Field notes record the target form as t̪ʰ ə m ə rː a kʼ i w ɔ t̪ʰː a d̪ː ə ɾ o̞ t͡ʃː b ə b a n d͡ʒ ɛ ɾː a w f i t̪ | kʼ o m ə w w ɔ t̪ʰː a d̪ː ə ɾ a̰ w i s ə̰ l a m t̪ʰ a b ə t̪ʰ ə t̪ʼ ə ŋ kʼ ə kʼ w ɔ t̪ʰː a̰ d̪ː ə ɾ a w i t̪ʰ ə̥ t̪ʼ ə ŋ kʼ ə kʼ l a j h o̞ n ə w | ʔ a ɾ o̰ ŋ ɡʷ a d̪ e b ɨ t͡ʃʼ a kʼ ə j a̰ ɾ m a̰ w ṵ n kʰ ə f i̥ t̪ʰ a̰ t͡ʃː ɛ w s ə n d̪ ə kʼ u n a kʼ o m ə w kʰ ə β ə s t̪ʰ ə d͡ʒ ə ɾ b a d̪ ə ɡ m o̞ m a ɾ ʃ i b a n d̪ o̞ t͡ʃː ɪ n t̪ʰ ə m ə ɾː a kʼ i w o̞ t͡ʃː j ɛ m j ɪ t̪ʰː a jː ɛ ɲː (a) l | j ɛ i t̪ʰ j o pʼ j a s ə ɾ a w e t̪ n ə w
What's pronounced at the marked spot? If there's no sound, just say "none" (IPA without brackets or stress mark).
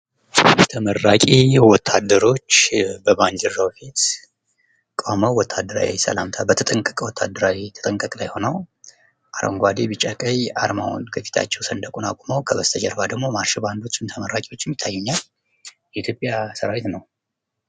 a